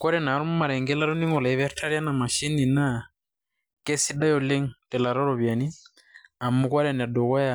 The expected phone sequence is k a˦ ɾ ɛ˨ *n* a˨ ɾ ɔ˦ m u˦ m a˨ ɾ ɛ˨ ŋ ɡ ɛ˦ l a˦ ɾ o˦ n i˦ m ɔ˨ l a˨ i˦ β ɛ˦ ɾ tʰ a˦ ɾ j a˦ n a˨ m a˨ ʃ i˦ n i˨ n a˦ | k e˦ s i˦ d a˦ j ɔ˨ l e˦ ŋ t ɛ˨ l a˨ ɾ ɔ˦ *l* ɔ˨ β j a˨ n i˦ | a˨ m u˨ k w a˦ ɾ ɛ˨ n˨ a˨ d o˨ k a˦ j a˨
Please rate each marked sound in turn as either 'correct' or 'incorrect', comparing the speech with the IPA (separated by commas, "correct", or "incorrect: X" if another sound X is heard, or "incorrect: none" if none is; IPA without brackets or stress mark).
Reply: correct, incorrect: ɾ